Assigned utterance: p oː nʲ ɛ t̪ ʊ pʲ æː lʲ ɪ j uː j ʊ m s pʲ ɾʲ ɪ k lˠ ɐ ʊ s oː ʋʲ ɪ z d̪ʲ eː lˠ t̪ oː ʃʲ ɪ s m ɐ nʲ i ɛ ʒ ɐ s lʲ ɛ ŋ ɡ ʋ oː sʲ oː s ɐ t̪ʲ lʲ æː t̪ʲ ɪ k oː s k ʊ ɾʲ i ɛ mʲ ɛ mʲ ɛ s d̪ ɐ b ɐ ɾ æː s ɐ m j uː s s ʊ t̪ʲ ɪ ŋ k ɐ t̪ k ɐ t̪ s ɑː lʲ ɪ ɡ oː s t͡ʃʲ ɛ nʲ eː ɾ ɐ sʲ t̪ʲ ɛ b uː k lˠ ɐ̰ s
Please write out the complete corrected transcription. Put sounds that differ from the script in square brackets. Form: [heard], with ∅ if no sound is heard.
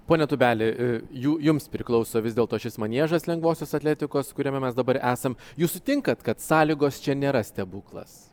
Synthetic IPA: p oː nʲ ɛ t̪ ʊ [bʲ] æː lʲ ɪ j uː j ʊ m s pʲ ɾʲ ɪ k lˠ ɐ ʊ s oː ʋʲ ɪ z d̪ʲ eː lˠ t̪ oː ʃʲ ɪ s m ɐ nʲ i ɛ ʒ ɐ s lʲ ɛ ŋ ɡ ʋ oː sʲ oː s ɐ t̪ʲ lʲ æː t̪ʲ ɪ k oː s k ʊ ɾʲ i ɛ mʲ ɛ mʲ ɛ s d̪ ɐ b ɐ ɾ æː s ɐ m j uː s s ʊ t̪ʲ ɪ ŋ k ɐ t̪ k ɐ t̪ s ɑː lʲ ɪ ɡ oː s t͡ʃʲ ɛ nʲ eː ɾ ɐ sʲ t̪ʲ ɛ b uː k lˠ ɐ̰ s